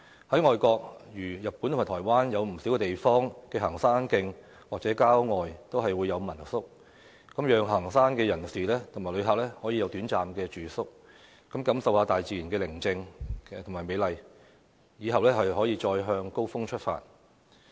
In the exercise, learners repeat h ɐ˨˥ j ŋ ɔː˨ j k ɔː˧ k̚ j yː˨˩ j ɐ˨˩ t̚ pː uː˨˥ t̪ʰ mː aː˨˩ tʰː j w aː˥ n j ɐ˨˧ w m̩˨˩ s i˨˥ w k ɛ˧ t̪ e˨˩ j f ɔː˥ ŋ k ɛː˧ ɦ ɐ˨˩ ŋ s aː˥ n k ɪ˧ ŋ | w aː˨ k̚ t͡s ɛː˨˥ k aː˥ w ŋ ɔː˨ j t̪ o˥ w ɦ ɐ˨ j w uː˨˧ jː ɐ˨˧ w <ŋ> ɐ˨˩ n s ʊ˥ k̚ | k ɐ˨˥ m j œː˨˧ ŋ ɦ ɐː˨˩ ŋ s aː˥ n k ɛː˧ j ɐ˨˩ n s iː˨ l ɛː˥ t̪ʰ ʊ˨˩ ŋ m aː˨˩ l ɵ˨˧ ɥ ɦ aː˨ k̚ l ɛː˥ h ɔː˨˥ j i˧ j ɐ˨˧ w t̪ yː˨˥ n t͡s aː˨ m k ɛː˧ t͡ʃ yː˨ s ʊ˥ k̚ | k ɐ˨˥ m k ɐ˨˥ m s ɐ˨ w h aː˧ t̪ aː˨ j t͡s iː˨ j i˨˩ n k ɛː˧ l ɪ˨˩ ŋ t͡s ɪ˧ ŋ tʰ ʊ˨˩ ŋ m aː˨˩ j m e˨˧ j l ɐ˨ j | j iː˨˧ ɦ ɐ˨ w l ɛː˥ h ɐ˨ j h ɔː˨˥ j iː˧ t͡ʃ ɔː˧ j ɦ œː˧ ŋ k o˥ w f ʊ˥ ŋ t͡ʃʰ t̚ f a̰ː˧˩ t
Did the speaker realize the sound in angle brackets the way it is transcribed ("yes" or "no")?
no